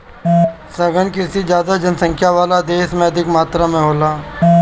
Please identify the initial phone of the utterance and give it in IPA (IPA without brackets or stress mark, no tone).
s